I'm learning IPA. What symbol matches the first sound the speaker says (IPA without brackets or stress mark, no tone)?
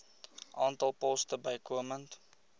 ʔ